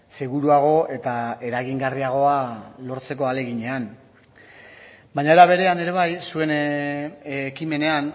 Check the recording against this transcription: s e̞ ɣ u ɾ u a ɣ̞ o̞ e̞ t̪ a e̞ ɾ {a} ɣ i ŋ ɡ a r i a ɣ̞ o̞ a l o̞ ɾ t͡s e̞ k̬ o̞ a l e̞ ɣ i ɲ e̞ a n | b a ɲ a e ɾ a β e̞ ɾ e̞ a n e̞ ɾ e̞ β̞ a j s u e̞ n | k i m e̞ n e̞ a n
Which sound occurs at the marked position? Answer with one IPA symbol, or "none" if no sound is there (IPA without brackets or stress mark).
a